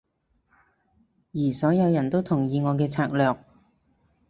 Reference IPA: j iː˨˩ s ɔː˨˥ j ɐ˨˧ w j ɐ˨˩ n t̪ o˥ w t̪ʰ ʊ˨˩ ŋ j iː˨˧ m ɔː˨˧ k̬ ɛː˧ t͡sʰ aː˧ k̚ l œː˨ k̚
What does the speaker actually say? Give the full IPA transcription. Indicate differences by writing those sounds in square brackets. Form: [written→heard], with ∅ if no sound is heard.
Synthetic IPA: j iː˨˩ s ɔː˨˥ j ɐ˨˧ w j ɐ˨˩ n t̪ o˥ w t̪ʰ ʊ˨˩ ŋ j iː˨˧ [m→ŋ] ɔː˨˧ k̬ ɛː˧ t͡sʰ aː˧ k̚ l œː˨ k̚